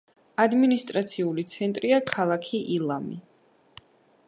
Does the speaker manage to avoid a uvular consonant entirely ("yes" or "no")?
yes